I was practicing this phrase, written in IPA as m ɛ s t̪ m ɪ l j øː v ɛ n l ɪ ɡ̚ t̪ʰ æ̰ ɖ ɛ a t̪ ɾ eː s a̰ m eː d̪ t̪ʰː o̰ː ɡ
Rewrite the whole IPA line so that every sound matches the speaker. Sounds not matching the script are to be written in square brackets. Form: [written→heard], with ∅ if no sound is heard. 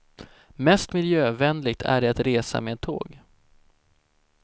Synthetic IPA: m ɛ s t̪ m ɪ l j øː v ɛ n l ɪ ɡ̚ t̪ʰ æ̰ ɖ ɛ a t̪ ɾ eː s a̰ m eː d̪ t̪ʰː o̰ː ɡ